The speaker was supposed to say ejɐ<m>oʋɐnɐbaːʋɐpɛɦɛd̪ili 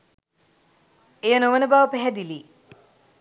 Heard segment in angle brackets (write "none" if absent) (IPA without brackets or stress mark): n